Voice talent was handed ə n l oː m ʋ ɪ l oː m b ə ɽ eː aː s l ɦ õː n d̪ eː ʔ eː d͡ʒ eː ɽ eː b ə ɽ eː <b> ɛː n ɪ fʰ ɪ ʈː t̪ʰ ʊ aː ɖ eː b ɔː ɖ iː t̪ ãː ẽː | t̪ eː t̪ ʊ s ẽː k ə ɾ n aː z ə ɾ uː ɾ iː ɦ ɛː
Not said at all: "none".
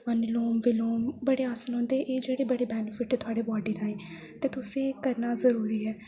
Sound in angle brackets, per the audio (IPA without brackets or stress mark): b